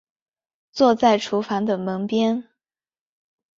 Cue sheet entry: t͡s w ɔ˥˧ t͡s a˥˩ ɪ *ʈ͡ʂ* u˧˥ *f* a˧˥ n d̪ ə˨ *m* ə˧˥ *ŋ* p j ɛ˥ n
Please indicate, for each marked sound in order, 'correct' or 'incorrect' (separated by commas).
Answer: incorrect, correct, correct, correct